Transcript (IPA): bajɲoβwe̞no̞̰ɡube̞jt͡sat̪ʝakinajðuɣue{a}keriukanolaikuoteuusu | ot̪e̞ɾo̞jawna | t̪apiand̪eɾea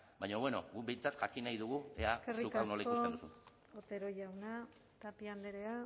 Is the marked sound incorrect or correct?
correct